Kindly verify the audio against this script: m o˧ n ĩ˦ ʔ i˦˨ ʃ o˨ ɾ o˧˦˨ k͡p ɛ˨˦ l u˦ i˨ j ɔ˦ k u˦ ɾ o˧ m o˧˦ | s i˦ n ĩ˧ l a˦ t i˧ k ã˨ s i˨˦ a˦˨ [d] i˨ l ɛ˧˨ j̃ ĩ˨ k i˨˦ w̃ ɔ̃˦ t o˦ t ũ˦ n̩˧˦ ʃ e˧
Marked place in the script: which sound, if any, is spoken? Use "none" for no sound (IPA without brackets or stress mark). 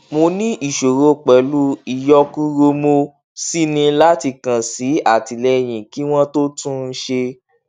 t